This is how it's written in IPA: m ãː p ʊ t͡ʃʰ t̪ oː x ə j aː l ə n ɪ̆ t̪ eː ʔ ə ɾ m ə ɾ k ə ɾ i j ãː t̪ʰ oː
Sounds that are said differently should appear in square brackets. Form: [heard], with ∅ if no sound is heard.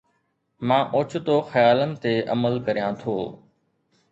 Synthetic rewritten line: m ãː [ʔ] ʊ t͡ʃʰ t̪ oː x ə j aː l ə n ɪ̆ t̪ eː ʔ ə [∅] m ə [l] k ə ɾ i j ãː t̪ʰ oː